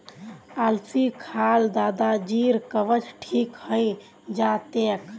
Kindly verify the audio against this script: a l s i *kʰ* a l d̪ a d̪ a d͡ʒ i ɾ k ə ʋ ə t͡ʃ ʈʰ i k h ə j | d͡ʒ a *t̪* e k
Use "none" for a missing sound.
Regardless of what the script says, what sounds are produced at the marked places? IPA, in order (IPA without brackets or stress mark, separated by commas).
kʰ, t̪